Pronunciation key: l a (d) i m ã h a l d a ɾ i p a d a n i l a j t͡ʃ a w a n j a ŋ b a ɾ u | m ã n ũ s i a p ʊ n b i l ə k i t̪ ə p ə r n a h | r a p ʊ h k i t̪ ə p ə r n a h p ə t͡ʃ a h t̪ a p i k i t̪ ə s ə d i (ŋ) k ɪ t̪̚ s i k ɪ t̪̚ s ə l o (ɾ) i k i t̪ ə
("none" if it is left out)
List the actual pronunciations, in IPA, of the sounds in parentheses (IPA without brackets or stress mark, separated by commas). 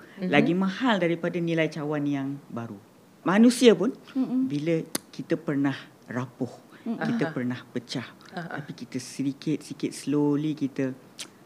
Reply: ɡ, none, l